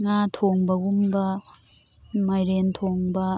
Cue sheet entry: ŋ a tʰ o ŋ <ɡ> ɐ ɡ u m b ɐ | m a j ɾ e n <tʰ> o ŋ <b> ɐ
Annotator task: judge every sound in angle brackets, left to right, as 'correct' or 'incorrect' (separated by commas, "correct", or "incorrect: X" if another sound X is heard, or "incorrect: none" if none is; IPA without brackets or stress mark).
incorrect: b, correct, correct